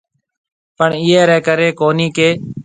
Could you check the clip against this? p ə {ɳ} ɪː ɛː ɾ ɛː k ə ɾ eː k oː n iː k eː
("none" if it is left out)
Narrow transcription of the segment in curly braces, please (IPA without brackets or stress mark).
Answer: ɳ